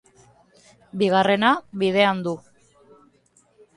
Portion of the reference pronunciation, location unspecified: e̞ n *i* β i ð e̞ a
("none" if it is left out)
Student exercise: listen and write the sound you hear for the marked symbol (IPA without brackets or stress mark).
a